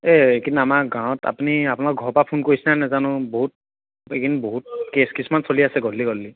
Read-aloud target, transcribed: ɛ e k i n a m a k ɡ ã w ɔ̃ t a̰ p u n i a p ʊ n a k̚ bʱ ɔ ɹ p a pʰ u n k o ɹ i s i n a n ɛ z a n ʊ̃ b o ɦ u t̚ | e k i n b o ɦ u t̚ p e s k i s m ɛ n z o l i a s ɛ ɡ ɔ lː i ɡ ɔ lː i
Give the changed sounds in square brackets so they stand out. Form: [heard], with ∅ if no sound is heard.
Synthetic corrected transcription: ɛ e k i n a m a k ɡ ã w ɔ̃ t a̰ p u n i a p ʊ n a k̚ [ɡʱ] ɔ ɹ p a pʰ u n k o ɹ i s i n a n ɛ z a n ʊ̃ b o ɦ u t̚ | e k i n b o ɦ u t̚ [k] e s k i s m [a] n [s] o l i a s ɛ ɡ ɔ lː i ɡ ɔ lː i

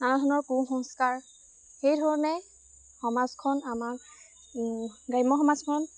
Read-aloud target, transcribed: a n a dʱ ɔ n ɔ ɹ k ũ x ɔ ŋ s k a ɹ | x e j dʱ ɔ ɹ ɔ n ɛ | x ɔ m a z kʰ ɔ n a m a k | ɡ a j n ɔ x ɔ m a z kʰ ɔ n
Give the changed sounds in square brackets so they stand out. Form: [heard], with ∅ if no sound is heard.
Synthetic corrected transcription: a n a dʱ ɔ n ɔ ɹ k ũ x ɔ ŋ s k a ɹ | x e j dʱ ɔ ɹ ɔ n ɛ | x ɔ m a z kʰ ɔ n a m a k | ɡ a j [m] ɔ x ɔ m a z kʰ ɔ n

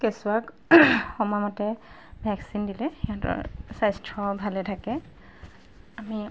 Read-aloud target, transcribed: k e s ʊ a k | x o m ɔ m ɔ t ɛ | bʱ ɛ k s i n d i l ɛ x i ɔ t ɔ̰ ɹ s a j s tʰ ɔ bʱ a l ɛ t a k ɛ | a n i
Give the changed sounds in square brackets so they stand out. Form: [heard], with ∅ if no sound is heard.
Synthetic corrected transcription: k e s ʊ a k | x [ɔ] m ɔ m ɔ t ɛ | bʱ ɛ k s i n d i l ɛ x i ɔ t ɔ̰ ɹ s a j s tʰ ɔ bʱ a l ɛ [tʰ] a k ɛ | a [m] i

